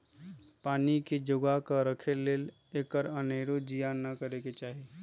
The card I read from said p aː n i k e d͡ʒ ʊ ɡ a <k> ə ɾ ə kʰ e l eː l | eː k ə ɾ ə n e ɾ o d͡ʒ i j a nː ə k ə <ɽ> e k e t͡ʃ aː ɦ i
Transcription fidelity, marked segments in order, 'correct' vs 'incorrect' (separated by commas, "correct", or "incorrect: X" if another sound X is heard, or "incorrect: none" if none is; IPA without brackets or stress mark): correct, incorrect: ɾ